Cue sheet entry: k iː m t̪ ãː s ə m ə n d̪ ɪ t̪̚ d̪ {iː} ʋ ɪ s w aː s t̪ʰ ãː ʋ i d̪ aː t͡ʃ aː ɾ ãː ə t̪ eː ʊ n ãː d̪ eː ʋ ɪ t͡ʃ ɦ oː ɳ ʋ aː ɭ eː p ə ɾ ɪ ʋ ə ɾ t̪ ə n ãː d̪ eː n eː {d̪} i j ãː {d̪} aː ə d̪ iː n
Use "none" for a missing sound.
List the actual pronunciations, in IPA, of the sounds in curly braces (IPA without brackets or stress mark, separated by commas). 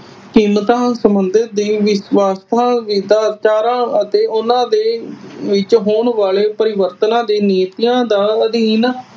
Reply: iː, t̪, d̪